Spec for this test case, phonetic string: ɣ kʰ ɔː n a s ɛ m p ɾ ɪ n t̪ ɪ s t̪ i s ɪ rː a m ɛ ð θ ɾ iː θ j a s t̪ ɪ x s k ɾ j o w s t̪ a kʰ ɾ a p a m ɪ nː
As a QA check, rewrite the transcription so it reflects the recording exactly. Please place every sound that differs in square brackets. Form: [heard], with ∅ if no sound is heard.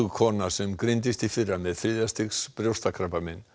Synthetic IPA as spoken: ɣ kʰ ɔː n a s ɛ m [k] ɾ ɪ n t̪ ɪ s t̪ i [f] ɪ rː a m ɛ ð θ ɾ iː [ð] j a s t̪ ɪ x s [p] ɾ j o w s t̪ a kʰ ɾ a p a m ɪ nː